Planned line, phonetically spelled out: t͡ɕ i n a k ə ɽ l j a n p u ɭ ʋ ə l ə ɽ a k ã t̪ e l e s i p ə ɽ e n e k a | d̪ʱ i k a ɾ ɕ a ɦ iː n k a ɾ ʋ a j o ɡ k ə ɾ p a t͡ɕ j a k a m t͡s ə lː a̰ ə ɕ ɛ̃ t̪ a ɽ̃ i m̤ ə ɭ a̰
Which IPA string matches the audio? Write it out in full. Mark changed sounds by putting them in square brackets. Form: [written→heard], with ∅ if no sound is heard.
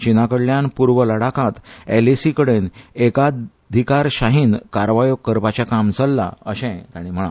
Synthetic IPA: t͡ɕ i n a k ə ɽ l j a n p u [ɭ→ɾ] ʋ ə l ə ɽ a k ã t̪ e l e s i [p→k] ə ɽ e n e k a | d̪ʱ i k a ɾ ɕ a ɦ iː n k a ɾ ʋ a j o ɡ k ə ɾ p a t͡ɕ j a k a m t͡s ə lː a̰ ə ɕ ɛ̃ t̪ a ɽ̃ i m̤ ə ɭ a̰